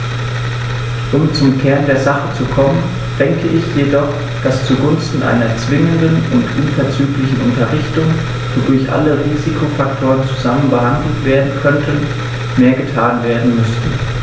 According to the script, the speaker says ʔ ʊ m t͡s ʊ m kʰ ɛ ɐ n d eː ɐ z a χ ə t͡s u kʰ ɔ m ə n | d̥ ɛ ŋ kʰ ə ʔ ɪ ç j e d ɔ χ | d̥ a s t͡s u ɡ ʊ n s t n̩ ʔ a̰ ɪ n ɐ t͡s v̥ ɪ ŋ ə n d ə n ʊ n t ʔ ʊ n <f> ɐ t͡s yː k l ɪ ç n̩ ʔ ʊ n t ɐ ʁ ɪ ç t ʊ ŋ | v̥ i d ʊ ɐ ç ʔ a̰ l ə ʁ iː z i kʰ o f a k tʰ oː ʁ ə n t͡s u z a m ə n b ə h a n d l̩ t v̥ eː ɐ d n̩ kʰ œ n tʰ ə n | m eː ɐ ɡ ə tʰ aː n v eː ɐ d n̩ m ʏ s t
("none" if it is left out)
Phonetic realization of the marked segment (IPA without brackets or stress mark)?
f